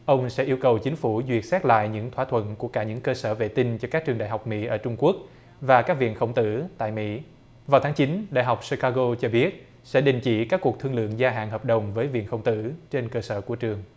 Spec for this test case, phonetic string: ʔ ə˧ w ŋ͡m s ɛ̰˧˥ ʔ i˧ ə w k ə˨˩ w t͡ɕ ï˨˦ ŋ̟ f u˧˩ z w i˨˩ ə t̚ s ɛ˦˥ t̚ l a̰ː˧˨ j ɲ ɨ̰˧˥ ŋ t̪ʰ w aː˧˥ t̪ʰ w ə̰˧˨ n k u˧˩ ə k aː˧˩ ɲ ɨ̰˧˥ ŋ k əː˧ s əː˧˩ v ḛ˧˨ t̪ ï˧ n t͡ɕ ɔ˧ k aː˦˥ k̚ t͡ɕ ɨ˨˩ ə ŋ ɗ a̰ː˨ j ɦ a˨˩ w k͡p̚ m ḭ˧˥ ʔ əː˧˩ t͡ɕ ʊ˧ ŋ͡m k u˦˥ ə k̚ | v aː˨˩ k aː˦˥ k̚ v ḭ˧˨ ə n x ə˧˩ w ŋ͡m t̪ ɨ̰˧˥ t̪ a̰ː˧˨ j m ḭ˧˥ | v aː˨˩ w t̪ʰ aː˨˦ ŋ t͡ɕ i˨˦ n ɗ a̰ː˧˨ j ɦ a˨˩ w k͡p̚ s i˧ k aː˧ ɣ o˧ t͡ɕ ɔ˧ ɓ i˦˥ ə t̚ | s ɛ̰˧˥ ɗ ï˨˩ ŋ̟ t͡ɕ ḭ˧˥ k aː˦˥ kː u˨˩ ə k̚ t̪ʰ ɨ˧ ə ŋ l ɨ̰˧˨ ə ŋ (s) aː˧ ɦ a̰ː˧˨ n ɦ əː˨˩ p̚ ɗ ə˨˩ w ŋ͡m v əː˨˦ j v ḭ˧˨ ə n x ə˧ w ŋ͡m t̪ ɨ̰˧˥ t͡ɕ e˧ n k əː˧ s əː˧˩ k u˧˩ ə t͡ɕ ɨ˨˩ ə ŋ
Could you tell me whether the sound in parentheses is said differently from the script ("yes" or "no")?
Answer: yes